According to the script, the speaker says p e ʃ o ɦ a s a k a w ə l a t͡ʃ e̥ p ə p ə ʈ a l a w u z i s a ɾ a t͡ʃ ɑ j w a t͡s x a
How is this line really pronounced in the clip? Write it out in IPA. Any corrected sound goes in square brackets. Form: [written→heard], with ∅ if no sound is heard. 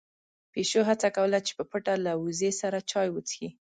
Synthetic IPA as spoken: p e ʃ o ɦ a [s→t͡s] a k a w ə l a t͡ʃ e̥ p ə p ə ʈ a l a w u z [i→e] s a ɾ a t͡ʃ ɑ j w [a→ə] t͡s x [a→i]